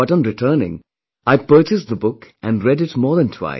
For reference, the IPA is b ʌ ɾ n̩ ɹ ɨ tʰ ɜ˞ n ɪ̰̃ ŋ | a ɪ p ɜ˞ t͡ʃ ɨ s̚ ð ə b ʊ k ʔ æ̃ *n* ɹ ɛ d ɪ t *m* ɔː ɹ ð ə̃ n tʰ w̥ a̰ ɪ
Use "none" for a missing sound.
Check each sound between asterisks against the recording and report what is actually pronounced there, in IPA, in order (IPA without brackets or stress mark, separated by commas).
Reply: n, m